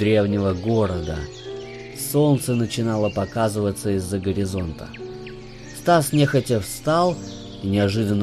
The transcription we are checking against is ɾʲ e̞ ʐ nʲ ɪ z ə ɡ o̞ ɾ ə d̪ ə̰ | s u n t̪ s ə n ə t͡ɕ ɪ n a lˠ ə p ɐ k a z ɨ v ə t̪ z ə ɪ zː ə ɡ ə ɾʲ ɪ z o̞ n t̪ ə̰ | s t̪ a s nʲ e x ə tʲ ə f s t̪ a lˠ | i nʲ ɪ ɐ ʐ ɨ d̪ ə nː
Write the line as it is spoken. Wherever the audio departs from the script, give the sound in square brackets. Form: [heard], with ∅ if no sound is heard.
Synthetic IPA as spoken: ɾʲ e̞ [v] nʲ ɪ [v] ə ɡ o̞ ɾ ə d̪ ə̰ | s [o] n t̪ s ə n ə t͡ɕ ɪ n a lˠ ə p ɐ k a z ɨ v ə t̪ [s] ə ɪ zː ə ɡ ə ɾʲ ɪ z o̞ n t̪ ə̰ | s t̪ a s nʲ e x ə tʲ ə f s t̪ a lˠ | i nʲ ɪ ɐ ʐ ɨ d̪ ə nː